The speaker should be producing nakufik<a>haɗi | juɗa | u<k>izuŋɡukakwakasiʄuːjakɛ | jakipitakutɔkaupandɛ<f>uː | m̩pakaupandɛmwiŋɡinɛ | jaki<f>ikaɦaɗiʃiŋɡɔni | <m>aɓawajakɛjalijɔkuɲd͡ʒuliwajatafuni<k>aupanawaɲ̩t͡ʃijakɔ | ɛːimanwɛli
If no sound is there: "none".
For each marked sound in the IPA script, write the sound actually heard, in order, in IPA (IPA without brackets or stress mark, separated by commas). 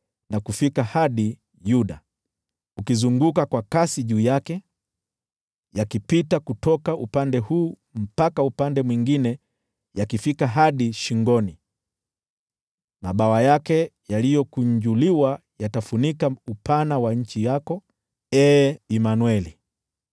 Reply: a, k, h, f, m, k